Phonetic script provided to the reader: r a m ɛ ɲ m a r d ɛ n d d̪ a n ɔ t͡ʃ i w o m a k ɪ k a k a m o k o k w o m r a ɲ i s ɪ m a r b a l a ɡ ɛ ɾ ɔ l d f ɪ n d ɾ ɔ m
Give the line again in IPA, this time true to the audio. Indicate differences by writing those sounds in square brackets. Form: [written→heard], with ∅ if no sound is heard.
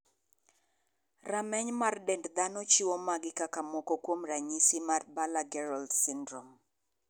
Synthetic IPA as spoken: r a m ɛ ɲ m a r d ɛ n d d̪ a n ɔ t͡ʃ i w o m a [k→ɡ] ɪ k a k a m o k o k w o m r a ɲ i s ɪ m a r b a l a ɡ ɛ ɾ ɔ l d [f→s] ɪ n d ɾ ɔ m